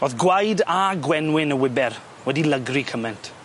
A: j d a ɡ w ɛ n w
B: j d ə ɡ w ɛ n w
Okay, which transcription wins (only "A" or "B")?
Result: A